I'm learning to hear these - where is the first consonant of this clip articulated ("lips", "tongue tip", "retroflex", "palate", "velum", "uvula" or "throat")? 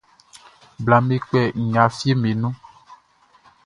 lips